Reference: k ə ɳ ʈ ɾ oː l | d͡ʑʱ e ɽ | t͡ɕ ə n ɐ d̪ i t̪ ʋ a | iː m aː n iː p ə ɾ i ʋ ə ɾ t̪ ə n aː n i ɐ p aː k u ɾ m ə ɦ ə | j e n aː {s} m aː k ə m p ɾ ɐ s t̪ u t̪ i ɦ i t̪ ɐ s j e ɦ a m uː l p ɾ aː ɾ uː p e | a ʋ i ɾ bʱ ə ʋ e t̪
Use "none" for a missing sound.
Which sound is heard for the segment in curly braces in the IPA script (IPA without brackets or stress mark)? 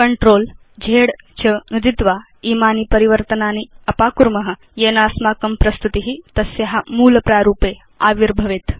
s